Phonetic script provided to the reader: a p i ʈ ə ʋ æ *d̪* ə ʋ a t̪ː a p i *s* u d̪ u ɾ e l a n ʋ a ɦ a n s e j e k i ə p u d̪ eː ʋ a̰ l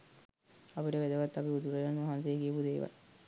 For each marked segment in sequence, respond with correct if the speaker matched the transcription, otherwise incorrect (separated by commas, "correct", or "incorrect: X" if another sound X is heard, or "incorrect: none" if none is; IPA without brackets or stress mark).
correct, incorrect: none